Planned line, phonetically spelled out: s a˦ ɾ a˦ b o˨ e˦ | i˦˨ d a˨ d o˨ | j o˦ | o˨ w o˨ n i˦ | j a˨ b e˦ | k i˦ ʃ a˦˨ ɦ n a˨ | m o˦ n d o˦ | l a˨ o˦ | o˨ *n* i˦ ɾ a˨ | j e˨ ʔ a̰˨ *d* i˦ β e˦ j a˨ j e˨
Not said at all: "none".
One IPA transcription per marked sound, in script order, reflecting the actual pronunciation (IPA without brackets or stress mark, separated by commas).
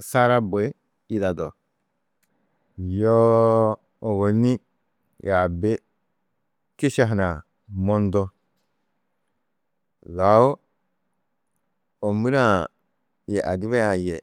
m, d